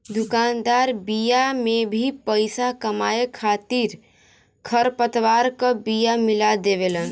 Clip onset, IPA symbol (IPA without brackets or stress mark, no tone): d̪